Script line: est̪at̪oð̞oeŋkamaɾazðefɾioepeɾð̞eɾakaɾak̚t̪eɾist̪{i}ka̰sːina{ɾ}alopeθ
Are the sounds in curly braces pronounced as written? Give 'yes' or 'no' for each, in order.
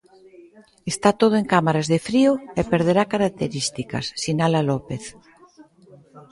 yes, no

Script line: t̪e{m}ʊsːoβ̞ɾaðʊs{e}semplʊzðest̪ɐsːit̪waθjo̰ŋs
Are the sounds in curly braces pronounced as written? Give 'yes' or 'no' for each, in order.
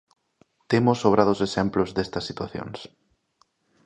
yes, yes

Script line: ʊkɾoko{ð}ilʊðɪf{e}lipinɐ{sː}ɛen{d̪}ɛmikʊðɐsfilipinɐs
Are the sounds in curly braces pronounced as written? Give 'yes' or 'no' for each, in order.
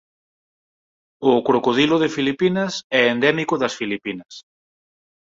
yes, no, no, yes

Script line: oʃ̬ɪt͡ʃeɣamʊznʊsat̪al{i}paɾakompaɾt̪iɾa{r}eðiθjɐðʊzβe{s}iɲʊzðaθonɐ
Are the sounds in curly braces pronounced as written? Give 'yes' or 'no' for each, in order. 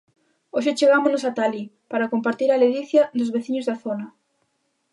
yes, no, no

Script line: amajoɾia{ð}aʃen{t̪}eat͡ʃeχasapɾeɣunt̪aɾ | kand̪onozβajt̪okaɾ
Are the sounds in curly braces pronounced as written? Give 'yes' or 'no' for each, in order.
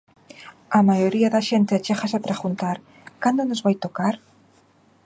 yes, yes

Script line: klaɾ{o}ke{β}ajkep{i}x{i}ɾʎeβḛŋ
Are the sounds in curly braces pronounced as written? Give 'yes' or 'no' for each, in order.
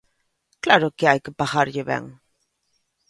yes, no, no, no

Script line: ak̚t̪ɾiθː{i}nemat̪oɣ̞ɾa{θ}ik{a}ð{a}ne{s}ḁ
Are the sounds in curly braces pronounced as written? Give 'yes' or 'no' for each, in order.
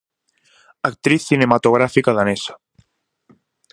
yes, no, yes, yes, yes

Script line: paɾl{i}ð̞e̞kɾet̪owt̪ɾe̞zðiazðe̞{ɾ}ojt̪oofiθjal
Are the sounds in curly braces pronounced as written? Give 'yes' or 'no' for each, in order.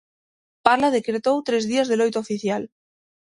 no, no

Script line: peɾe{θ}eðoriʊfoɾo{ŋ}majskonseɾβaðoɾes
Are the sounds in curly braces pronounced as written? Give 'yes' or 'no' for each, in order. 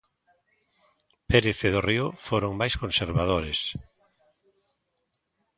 yes, yes

